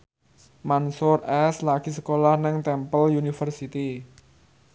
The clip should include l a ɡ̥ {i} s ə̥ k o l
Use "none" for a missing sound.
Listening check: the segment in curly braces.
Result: i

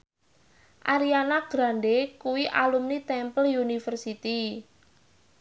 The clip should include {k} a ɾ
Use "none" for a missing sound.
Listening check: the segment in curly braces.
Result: ʔ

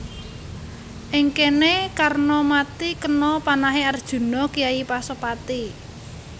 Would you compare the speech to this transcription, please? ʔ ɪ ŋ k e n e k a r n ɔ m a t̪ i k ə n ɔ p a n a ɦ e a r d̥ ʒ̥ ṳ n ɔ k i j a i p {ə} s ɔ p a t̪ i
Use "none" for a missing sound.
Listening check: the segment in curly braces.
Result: a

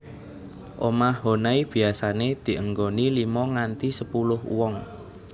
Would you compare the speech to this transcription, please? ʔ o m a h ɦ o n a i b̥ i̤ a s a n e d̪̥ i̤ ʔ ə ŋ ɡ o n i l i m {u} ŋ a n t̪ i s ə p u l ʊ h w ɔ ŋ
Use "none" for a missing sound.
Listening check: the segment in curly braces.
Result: ɔ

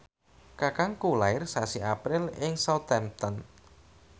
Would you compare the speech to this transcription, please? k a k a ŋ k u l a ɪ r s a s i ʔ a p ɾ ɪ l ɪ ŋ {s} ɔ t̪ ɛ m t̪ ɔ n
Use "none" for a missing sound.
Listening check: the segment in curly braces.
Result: s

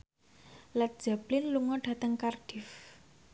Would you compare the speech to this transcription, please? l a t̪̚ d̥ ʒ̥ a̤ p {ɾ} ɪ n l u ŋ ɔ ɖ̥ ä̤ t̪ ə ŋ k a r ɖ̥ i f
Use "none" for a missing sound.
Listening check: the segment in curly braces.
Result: l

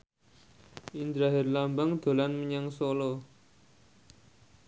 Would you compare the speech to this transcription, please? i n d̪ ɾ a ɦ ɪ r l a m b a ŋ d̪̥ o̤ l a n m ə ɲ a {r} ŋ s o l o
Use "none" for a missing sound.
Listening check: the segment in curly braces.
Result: none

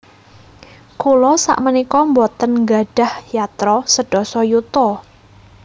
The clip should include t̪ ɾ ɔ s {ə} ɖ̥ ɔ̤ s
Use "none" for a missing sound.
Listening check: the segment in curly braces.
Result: ə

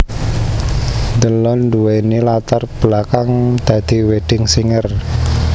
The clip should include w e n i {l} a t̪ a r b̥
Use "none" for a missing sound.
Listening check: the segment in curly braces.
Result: l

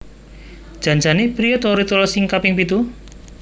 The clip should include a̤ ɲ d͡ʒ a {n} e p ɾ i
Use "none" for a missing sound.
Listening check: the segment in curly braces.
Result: n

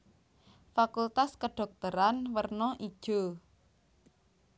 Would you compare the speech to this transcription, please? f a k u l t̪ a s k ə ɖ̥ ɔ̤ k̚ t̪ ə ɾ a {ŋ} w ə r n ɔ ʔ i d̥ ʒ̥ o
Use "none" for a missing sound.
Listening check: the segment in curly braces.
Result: n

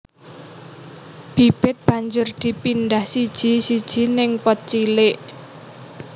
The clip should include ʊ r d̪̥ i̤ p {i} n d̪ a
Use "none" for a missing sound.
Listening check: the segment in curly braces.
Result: i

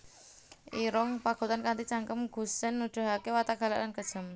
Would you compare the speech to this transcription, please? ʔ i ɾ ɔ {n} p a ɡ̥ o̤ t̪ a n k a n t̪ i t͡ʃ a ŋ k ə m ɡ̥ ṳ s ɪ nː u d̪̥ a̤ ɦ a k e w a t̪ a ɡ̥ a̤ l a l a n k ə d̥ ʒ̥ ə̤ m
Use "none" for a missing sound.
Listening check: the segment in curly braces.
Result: ŋ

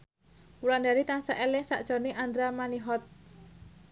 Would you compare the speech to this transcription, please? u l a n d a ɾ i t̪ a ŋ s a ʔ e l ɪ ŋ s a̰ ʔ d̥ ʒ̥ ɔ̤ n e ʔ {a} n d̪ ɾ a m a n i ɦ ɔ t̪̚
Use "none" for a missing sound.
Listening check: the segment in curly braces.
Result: a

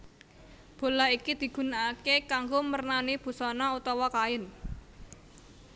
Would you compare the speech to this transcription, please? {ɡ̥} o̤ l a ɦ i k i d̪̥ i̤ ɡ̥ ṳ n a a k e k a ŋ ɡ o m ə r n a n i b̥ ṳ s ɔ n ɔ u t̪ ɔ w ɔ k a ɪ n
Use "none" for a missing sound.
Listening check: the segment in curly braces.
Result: b̥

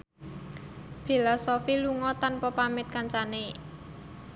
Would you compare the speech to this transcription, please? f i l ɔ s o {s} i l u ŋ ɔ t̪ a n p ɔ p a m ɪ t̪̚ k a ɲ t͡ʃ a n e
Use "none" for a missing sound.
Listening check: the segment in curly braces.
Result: f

